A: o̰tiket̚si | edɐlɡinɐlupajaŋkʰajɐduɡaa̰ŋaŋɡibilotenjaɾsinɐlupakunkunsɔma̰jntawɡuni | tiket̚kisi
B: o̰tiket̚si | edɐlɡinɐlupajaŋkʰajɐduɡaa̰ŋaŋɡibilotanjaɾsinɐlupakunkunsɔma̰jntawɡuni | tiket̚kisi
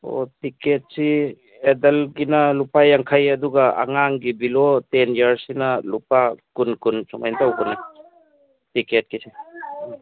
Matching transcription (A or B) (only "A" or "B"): A